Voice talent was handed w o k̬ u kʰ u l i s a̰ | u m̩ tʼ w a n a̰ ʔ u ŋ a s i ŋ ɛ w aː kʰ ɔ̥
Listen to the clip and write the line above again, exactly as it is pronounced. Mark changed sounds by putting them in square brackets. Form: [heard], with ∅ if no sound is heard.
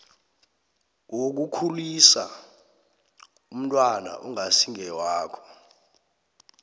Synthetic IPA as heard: w o k̬ u kʰ u l i s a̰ | u m̩ tʼ w a n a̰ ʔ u ŋ a s i ŋ ɛ w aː kʰ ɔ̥